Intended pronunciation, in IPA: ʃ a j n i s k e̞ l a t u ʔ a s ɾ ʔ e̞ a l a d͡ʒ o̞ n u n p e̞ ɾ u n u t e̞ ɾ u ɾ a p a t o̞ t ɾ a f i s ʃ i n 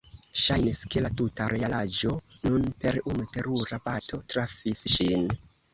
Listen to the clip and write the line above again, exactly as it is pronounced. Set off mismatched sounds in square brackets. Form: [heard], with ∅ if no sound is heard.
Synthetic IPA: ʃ a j n i s k e̞ l a t u [t] a [∅] ɾ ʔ e̞ a l a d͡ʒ o̞ n u n p e̞ ɾ u n u t e̞ ɾ u ɾ a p a t o̞ t ɾ a f i s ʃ i n